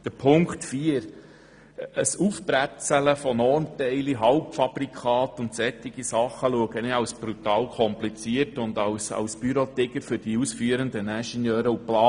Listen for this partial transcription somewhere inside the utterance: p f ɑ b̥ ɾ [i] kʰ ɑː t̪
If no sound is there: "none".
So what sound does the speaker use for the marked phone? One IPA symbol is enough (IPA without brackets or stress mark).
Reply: i